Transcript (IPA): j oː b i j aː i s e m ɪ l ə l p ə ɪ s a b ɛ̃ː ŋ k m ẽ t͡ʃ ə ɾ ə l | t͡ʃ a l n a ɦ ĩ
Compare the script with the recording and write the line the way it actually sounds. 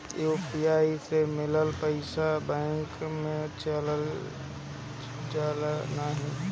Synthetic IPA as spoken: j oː p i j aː i s e m ɪ l ə l p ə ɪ s a b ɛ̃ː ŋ k m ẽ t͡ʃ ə l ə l | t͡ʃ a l n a ɦ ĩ